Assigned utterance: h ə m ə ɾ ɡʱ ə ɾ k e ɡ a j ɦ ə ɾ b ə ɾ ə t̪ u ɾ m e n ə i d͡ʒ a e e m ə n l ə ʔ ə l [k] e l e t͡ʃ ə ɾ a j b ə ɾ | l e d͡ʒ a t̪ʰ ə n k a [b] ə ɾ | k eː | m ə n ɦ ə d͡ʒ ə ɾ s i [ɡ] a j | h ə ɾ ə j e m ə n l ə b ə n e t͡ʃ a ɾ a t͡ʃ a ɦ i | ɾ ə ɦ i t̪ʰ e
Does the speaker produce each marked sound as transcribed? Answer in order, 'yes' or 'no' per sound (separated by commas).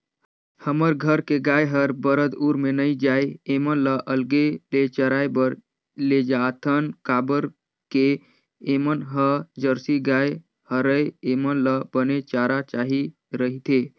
no, yes, yes